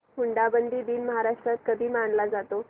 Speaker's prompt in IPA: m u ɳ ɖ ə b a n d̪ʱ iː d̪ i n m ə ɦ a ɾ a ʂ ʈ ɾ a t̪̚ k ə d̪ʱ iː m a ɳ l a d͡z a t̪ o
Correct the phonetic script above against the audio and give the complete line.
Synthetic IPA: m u ɳ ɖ a b ə n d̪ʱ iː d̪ iː n m ə ɦ a ɾ a ʂ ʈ ɾ a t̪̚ k ə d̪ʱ iː m a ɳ l a d͡z a t̪ o

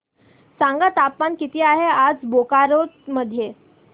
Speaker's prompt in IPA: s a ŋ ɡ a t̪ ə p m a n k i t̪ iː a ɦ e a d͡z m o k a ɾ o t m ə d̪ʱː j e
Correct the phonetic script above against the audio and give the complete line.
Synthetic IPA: s a ŋ ɡ a t̪ a p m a n k i t̪ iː a ɦ e a d͡z b o k a ɾ o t m ə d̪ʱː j e

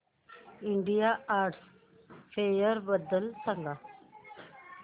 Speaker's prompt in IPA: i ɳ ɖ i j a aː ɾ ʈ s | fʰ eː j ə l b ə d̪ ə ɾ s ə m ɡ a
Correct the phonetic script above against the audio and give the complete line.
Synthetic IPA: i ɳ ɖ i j a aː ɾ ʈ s | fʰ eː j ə ɾ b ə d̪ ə l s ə ŋ ɡ a

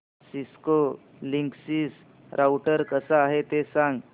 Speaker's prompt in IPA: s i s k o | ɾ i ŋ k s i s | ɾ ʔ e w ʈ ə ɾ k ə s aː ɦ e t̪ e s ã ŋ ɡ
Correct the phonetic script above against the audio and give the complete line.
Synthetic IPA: s i s k o | l i ŋ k s i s | ɾ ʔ a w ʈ ə ɾ k ə s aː ɦ e t̪ e s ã ŋ ɡ

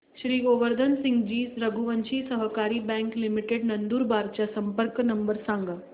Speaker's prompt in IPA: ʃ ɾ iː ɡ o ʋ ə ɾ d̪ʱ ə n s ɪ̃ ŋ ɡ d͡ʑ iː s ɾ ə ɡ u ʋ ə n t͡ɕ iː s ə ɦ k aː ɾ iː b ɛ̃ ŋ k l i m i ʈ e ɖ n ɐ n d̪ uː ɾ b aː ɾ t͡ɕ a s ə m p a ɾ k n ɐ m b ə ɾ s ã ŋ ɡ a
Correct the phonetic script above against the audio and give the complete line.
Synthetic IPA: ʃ ɾ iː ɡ o ʋ ə ɾ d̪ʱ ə n s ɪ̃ ŋ ɡ d͡ʑ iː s ɾ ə ɡ u ʋ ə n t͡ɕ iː s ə ɦ k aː ɾ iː b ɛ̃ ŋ k l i m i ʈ e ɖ n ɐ n d̪ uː ɾ b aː ɾ t͡ɕ a s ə m p ə ɾ k n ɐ m b ə ɾ s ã ŋ ɡ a

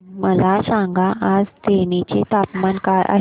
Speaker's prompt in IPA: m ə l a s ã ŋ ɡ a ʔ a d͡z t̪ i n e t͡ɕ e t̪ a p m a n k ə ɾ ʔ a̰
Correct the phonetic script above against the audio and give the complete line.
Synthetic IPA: m ə l a s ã ŋ ɡ a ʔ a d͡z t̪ e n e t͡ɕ e t̪ a p m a n k a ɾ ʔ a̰

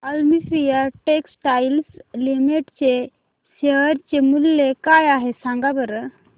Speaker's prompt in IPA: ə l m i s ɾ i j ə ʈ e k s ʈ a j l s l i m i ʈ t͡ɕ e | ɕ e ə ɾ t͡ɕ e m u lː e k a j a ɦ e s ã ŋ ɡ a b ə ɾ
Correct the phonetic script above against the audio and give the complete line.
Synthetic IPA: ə l m i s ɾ i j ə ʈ e k s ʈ a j l s l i m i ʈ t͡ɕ e | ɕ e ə ɾ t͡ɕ e m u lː e k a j a ɦ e s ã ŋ ɡ a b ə ɾ

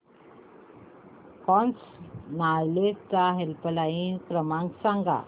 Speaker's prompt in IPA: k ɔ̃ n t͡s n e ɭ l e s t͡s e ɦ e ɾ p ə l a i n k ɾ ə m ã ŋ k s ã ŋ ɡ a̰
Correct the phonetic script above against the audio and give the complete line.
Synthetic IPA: k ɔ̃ n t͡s n a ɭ l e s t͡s a ɦ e l p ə l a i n k ɾ ə m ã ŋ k s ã ŋ ɡ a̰

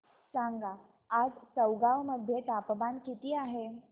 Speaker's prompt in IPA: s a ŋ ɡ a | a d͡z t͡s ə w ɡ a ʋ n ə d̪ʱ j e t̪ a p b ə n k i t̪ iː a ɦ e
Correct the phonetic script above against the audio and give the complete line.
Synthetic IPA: s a ŋ ɡ a | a d͡z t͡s ə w ɡ a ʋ m ə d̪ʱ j e t̪ a p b a n k i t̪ iː a ɦ e

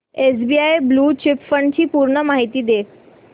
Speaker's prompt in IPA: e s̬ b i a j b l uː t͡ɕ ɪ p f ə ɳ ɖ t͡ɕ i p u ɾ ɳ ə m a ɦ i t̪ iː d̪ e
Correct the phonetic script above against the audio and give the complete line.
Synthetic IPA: e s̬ b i a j b l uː t͡ɕ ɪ p f ə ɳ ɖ t͡ɕ iː p u ɾ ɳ ə m a ɦ i t̪ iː d̪ e

